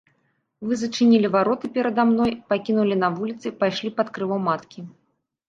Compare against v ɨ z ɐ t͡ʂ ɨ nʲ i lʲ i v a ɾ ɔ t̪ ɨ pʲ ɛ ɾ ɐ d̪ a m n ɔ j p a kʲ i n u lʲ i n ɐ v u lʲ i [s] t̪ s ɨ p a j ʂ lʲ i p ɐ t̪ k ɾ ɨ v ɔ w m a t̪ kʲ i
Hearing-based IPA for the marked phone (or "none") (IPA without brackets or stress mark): none